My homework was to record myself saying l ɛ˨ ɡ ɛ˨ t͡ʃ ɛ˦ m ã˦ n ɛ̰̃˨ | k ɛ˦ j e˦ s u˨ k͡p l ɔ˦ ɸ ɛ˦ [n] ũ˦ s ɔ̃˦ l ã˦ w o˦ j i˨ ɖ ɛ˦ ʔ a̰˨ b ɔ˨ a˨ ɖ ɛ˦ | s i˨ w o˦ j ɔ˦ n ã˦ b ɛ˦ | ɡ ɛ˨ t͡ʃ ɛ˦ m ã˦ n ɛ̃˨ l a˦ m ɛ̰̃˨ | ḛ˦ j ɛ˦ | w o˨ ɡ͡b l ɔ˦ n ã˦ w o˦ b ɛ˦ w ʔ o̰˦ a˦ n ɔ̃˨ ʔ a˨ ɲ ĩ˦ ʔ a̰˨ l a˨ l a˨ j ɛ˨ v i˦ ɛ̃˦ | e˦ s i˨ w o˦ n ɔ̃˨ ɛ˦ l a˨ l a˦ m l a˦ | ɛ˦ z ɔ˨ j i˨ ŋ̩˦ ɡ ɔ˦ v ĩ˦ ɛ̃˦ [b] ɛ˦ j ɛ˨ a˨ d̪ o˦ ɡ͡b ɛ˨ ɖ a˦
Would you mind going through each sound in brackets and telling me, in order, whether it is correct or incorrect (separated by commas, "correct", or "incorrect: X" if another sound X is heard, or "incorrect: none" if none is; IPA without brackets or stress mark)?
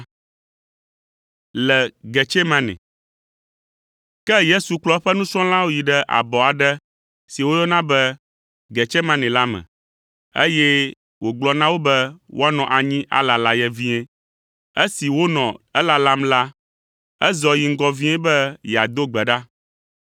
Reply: correct, correct